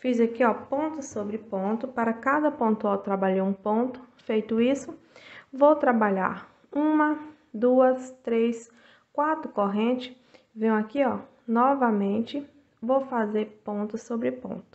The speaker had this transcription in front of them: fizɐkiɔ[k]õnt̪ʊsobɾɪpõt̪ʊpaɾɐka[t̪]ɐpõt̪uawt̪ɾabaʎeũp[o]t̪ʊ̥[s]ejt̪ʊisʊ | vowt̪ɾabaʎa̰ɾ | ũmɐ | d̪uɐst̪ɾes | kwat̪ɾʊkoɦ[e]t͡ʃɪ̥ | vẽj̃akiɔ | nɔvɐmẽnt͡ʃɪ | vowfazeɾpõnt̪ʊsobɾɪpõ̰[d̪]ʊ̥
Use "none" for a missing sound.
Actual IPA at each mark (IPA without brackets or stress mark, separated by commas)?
p, d̪, õ, f, ẽ, t̪